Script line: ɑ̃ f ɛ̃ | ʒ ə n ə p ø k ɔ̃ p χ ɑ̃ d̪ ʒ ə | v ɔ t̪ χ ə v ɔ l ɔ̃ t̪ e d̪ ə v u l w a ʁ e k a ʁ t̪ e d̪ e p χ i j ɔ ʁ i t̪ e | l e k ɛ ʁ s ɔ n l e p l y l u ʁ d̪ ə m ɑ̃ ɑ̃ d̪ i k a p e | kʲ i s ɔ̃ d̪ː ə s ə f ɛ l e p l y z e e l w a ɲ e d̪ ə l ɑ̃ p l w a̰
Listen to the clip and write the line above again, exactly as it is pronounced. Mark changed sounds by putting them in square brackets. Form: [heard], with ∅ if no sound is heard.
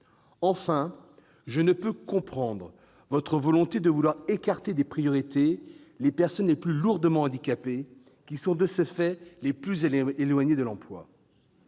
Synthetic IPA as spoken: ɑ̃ f ɛ̃ | ʒ ə n ə p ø k ɔ̃ p χ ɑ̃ d̪ [ʁ] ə | v ɔ t̪ χ ə v ɔ l ɔ̃ t̪ e d̪ ə v u l w a ʁ e k a ʁ t̪ e d̪ e p χ i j ɔ ʁ i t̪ e | l e [p] ɛ ʁ s ɔ n l e p l y l u ʁ d̪ ə m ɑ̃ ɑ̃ d̪ i k a p e | kʲ i s ɔ̃ [d̪] ə s ə f ɛ l e p l y z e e l w a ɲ e d̪ ə l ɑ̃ p l w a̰